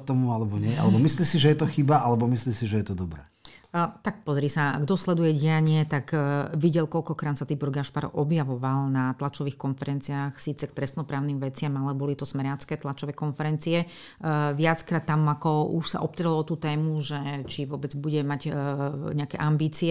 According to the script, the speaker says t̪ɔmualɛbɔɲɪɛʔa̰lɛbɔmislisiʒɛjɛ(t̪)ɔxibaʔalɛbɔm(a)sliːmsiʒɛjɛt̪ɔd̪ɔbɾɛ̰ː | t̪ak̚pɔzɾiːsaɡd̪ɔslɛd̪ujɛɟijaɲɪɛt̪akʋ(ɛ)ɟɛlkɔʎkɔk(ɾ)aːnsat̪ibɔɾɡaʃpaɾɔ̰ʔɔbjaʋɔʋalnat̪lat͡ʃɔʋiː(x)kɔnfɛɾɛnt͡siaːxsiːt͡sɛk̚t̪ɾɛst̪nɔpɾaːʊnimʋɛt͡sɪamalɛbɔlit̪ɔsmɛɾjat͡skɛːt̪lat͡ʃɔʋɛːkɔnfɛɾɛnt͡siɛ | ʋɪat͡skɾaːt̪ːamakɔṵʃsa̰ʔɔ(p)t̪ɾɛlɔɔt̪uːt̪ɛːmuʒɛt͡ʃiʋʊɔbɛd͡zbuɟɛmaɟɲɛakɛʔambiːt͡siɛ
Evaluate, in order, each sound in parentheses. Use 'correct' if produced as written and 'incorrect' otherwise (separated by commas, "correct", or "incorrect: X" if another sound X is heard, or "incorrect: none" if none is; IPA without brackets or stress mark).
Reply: correct, incorrect: i, incorrect: i, correct, correct, correct